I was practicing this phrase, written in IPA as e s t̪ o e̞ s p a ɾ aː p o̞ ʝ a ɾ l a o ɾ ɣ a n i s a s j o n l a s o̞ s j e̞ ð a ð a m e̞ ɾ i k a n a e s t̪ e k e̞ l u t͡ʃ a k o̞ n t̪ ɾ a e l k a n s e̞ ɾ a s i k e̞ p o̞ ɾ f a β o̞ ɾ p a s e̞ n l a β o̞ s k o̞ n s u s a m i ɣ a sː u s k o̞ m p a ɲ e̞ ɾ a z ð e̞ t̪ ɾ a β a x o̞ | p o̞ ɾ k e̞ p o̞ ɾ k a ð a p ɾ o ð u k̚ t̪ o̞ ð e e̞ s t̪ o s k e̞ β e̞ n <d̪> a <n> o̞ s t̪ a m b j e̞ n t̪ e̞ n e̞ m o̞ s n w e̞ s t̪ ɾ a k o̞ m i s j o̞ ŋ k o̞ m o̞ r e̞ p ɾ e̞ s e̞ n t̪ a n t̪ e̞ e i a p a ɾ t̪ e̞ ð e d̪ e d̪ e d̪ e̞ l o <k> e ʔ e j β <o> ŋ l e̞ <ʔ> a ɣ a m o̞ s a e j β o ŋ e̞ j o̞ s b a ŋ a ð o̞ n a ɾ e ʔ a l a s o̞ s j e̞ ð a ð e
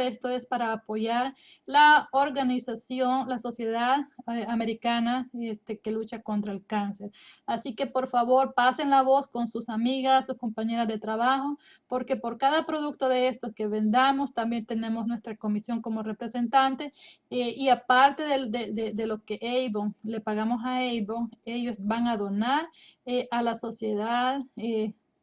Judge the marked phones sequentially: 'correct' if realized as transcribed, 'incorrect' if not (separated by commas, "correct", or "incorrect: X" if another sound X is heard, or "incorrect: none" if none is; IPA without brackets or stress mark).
correct, incorrect: m, correct, correct, incorrect: p